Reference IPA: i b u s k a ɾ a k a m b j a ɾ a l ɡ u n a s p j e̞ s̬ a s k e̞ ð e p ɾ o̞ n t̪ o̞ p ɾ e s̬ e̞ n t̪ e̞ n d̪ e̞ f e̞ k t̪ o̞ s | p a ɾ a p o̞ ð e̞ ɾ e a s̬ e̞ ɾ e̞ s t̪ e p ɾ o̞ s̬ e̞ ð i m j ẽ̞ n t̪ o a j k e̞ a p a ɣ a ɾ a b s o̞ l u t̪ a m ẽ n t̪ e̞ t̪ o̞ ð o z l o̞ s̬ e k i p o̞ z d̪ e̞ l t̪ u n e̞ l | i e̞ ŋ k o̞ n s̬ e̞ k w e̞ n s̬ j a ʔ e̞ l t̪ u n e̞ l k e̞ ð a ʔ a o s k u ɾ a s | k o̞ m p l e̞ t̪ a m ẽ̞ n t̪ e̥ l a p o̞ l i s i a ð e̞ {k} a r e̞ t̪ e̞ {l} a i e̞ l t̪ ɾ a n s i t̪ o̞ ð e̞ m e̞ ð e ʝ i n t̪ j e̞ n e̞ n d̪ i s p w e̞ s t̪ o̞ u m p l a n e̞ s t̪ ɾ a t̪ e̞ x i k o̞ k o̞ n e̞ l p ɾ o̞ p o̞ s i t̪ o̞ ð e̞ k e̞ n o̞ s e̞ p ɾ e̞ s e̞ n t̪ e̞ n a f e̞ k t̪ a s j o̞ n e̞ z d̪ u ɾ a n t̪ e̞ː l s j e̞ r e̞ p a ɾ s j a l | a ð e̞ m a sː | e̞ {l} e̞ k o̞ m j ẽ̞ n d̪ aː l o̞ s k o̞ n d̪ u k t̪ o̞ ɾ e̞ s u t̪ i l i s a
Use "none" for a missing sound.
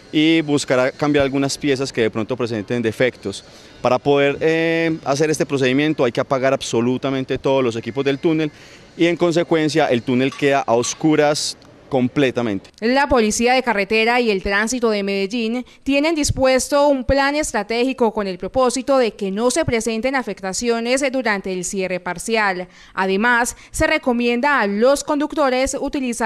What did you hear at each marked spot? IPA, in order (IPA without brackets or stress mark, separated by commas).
k, ɾ, r